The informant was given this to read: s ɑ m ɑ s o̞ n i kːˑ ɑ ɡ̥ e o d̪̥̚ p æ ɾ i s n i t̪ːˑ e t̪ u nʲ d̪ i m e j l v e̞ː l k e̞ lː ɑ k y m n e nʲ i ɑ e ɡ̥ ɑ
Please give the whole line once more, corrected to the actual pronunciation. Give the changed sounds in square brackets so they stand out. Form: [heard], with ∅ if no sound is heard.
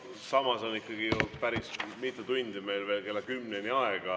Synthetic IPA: s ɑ m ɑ s o̞ n i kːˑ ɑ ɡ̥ [i] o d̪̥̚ p æ ɾ i s [m] i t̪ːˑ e t̪ u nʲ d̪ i m e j l v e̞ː l k e̞ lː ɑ k y m n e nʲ i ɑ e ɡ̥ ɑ